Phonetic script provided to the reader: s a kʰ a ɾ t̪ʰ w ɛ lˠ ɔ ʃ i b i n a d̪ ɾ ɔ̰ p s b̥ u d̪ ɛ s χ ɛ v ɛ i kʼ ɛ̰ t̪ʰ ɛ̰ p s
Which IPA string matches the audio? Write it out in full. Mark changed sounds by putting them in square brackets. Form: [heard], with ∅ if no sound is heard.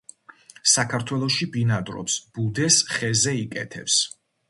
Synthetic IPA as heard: s a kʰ a ɾ t̪ʰ w ɛ lˠ ɔ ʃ i b i n a d̪ ɾ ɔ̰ p s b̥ u d̪ ɛ s χ ɛ [z] ɛ i kʼ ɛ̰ t̪ʰ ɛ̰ p s